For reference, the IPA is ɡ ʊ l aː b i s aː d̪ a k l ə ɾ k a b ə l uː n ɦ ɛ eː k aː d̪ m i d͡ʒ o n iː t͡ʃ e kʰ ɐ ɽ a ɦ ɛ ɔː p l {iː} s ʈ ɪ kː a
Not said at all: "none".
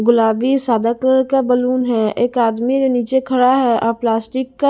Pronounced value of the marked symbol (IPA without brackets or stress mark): aː